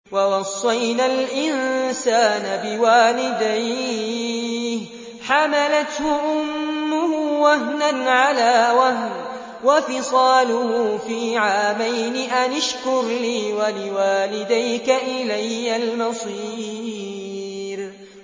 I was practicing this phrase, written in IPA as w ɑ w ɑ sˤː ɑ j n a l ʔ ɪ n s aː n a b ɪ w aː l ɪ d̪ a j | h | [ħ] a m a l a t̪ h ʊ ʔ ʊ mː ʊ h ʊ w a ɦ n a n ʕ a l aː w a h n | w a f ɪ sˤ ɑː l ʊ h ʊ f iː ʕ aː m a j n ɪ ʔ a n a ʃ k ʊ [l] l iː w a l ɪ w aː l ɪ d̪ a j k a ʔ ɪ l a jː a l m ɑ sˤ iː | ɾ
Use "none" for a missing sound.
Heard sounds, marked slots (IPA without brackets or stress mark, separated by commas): ħ, ɾ